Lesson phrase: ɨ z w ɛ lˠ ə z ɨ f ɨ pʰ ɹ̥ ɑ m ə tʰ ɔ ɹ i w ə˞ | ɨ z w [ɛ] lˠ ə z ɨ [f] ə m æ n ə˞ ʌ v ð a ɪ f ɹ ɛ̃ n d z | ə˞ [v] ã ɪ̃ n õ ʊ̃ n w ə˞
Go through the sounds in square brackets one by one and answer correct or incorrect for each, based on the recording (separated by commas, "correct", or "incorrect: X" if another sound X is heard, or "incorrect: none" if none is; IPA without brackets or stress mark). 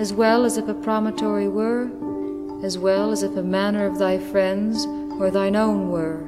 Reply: correct, correct, incorrect: ð